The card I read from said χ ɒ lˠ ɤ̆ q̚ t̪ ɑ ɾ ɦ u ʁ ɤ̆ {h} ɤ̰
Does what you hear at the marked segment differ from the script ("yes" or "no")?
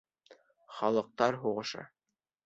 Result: yes